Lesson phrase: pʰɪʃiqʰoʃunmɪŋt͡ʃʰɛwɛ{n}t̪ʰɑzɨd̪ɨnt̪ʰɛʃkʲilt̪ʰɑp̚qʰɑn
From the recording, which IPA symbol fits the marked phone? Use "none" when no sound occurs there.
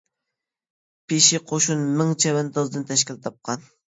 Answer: n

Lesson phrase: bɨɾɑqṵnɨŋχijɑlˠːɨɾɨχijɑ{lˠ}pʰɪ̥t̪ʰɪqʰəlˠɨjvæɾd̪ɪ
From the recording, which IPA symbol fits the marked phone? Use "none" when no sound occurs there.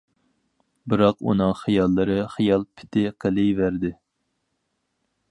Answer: lˠ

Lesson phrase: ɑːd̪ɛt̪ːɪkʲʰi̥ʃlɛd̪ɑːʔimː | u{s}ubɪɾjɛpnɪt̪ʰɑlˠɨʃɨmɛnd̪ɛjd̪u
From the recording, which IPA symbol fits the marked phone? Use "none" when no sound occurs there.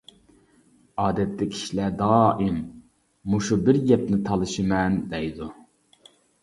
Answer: ʃ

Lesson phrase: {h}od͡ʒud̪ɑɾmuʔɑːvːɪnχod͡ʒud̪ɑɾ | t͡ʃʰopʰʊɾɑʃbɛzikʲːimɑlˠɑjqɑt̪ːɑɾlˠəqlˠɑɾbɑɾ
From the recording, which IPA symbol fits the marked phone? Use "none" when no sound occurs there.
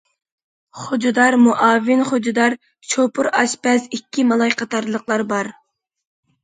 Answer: χ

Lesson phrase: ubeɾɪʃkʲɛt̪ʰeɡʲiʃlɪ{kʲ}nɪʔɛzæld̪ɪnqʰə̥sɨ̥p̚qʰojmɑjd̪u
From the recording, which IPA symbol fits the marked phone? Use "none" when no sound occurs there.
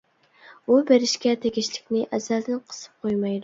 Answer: kʲ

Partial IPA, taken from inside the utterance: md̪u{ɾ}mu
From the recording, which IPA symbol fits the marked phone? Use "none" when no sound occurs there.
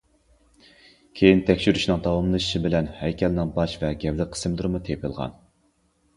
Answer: ɾ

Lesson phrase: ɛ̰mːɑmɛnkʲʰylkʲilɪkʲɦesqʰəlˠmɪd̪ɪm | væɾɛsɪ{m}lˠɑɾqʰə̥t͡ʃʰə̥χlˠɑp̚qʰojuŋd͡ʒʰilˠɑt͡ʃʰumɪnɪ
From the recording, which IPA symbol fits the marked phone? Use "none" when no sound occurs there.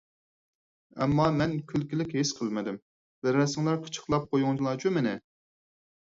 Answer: ŋ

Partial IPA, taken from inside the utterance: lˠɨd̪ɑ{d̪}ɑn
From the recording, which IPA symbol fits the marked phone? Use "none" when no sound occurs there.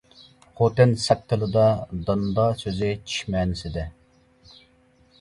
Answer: d̪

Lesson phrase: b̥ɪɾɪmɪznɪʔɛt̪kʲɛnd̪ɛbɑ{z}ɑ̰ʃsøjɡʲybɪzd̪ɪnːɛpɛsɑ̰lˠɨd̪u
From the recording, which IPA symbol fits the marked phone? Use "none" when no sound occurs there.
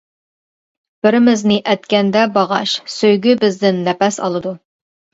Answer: ʁ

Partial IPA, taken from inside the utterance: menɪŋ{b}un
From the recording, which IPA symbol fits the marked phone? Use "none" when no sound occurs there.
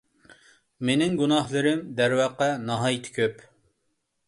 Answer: ɡ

